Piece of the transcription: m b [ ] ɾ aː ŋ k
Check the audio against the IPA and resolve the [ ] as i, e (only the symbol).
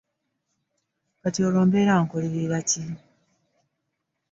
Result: e